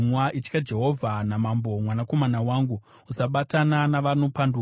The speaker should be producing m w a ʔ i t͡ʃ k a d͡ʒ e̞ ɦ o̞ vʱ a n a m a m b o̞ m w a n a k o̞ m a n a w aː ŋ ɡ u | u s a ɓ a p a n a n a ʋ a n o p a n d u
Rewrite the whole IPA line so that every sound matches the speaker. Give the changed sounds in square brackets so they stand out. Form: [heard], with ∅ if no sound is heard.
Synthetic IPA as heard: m w a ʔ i t͡ʃ k a d͡ʒ e̞ ɦ o̞ vʱ a n a m a m b o̞ m w a n a k o̞ m a n a w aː ŋ ɡ u | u s a ɓ a [t] a n a n a ʋ a n o p a n d u